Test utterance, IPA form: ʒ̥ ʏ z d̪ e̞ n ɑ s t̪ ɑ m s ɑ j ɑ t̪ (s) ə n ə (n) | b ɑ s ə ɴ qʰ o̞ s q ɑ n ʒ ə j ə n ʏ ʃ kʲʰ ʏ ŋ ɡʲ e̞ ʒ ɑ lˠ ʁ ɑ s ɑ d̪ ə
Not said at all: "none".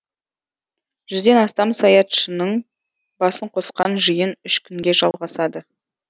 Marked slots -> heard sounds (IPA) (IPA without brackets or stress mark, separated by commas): ʃ, ɴ